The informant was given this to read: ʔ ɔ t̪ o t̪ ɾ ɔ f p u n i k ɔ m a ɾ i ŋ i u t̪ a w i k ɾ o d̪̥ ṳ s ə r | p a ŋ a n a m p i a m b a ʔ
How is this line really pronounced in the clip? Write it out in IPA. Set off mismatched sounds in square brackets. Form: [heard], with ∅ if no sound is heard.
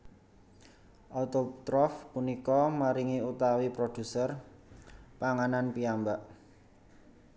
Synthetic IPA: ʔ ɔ t̪ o t̪ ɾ ɔ f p u n i k ɔ m a ɾ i ŋ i u t̪ a w i [p] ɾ o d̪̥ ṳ s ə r | p a ŋ a n a [n] p i a m b a ʔ